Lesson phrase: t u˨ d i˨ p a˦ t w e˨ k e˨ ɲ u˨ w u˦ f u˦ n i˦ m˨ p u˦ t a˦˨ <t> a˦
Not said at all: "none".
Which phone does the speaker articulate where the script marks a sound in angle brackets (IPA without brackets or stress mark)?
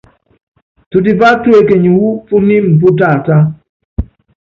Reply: t